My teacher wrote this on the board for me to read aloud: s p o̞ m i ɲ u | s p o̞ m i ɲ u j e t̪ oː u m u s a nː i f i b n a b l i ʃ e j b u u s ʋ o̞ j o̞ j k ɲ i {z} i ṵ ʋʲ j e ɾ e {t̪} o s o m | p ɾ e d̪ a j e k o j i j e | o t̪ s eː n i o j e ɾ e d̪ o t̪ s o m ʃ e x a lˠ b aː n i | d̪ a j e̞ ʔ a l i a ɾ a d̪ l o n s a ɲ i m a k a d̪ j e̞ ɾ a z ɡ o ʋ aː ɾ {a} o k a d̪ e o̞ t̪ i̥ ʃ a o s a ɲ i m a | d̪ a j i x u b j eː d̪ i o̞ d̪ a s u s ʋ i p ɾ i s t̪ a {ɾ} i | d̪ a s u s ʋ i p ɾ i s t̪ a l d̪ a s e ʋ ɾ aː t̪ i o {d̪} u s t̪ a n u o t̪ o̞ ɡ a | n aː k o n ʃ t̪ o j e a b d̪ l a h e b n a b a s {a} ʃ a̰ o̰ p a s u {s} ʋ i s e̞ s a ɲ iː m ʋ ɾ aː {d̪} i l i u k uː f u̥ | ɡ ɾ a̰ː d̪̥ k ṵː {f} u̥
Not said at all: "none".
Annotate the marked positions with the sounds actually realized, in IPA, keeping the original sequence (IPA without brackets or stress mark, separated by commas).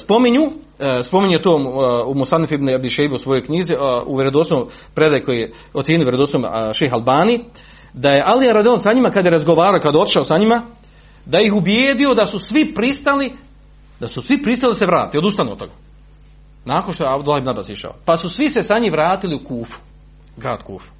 z, d̪, a, l, d̪, i, s, t̪, f